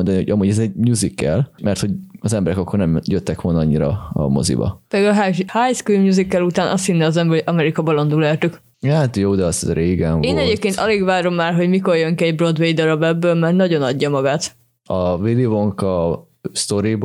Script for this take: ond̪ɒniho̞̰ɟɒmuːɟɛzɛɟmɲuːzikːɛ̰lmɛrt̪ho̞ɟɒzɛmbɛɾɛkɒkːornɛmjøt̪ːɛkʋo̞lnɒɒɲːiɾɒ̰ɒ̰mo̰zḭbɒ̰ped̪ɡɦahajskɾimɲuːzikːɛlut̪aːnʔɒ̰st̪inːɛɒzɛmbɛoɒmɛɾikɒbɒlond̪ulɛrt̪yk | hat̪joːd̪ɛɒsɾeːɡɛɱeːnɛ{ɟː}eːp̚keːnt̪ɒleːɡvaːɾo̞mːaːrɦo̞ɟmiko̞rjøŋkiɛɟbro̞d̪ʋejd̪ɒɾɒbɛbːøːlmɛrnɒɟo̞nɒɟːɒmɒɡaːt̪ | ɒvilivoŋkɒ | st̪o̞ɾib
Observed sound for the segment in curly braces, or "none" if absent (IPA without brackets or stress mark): ɟ